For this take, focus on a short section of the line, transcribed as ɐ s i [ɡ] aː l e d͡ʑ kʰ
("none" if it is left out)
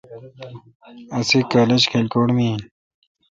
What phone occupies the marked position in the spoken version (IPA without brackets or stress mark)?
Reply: k